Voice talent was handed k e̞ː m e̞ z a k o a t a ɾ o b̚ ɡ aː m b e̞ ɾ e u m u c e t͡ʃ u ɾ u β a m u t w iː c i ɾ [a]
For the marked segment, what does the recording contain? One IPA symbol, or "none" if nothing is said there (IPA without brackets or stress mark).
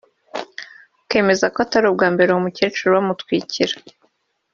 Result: a